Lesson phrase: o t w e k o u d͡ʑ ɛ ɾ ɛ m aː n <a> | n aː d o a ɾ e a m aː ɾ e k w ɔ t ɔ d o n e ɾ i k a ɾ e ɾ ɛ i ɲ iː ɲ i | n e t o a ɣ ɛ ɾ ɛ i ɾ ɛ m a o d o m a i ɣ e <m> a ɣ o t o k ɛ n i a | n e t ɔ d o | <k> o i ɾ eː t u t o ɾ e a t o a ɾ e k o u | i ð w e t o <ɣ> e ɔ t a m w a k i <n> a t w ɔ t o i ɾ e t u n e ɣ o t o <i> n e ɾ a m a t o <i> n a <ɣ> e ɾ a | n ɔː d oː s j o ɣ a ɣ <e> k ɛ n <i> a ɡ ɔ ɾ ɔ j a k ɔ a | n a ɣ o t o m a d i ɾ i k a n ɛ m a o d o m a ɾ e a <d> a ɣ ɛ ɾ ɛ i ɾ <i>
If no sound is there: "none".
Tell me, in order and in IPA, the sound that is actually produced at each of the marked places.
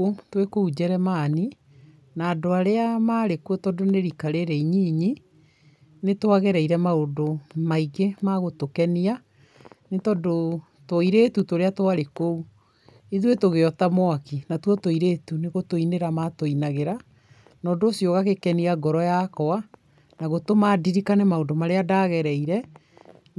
i, m, t, ɣ, n, i, i, ɣ, e, i, d, ɛ

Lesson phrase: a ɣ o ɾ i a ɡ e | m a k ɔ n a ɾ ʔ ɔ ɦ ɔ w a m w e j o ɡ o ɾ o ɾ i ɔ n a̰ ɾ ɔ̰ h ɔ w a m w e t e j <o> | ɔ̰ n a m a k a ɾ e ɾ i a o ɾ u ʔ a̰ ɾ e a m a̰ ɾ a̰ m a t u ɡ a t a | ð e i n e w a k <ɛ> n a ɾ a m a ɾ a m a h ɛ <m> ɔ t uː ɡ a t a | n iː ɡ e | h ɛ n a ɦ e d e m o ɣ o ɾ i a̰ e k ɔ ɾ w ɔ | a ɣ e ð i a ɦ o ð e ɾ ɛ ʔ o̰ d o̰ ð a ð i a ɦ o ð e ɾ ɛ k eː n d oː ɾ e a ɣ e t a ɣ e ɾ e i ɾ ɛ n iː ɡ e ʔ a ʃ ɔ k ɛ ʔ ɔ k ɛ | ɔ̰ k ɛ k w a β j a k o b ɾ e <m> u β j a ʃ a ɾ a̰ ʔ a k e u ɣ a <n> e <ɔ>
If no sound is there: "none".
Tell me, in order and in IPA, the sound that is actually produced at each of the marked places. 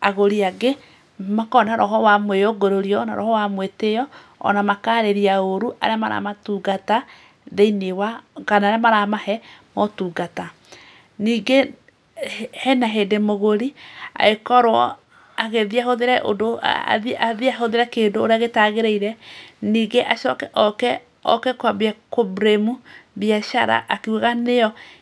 ɔ, a, m, m, n, ɔ

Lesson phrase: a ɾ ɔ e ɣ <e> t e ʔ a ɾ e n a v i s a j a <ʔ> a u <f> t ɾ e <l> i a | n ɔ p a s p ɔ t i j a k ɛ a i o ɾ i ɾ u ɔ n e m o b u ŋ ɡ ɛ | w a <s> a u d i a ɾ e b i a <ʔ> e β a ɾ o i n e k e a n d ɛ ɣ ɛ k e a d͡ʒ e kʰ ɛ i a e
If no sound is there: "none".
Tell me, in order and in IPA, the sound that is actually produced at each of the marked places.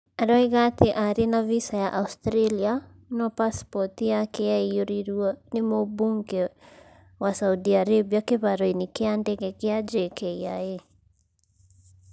a, ʔ, s, l, s, k

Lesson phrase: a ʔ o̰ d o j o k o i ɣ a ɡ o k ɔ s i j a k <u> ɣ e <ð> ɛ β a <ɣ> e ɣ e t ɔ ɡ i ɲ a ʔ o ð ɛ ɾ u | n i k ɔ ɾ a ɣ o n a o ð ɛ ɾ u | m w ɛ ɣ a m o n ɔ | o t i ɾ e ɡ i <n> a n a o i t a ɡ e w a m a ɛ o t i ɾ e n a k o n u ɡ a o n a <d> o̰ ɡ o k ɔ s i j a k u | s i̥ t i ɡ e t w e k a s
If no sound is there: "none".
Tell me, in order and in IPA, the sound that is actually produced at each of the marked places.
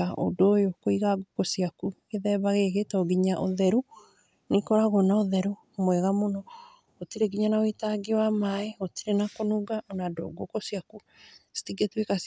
u, ð, ɣ, ɲ, d

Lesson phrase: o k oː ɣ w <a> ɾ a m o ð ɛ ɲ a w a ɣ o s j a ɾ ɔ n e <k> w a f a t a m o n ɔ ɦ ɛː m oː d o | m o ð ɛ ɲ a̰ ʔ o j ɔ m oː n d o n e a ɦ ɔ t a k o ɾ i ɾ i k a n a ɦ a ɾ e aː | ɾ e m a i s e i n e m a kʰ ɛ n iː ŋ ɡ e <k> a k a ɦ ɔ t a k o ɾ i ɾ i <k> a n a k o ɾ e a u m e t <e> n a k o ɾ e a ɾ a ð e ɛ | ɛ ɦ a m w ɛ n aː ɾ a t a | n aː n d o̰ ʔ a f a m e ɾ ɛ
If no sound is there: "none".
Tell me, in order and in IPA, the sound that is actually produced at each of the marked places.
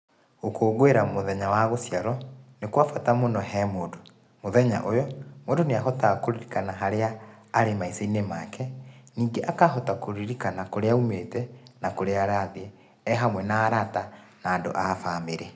e, k, ʔ, k, ɛ

